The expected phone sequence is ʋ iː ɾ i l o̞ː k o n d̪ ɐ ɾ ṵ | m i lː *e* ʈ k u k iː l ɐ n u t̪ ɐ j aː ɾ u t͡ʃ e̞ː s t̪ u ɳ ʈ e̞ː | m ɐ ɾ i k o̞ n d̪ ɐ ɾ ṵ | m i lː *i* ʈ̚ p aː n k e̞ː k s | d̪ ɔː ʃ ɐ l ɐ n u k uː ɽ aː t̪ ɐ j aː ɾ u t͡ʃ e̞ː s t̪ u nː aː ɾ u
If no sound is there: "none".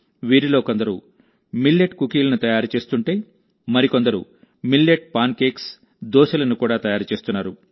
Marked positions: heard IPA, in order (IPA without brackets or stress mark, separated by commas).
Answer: e, e